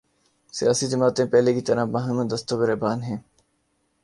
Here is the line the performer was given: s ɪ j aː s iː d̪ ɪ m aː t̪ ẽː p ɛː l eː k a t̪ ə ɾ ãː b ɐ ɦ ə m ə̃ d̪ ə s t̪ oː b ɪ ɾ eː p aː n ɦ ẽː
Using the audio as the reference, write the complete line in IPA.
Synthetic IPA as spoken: s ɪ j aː s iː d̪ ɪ m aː t̪ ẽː p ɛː l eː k i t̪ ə ɾ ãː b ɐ ɦ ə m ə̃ d̪ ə s t̪ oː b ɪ ɾ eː b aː n ɦ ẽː